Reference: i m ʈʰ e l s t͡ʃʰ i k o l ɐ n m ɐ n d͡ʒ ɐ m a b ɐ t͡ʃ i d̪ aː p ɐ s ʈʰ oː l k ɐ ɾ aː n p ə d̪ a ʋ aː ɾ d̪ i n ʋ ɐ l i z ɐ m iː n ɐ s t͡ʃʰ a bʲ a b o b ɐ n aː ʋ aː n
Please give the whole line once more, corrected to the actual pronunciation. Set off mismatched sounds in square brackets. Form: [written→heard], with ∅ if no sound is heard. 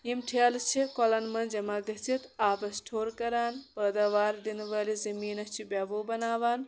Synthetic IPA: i m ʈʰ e l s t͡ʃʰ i k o l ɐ n m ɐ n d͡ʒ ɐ m a [b→ɡ] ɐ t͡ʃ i [d̪→t̪] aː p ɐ s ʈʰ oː [l→ɾ] k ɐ ɾ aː n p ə d̪ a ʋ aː ɾ d̪ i n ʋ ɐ l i z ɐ m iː n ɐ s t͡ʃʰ [a→i] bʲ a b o b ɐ n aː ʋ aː n